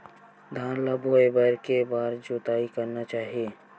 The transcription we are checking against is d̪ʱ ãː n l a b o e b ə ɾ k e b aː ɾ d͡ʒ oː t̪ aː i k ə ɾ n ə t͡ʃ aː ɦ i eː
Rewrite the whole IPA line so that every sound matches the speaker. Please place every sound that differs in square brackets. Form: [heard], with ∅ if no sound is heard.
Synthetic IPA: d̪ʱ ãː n l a b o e b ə ɾ k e b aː ɾ d͡ʒ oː t̪ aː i k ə ɾ n [a] t͡ʃ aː ɦ i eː